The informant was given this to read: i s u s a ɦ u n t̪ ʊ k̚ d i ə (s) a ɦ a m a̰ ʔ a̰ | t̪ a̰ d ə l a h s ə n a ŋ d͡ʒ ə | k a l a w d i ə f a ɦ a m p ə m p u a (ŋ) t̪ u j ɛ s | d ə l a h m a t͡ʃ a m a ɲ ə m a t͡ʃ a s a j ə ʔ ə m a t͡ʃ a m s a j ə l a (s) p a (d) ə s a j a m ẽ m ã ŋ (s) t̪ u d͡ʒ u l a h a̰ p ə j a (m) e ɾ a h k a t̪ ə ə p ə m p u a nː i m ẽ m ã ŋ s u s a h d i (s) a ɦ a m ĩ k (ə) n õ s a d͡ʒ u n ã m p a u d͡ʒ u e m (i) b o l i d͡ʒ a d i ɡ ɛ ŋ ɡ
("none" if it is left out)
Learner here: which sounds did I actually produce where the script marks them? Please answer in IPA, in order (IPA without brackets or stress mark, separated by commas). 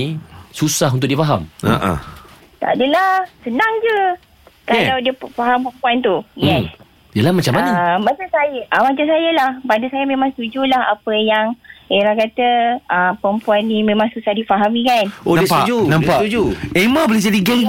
f, n, h, d, s, ŋ, f, a, a